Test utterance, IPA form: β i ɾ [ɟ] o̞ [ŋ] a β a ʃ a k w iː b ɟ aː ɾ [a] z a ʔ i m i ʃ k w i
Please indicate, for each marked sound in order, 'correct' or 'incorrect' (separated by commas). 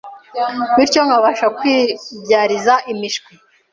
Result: incorrect, correct, incorrect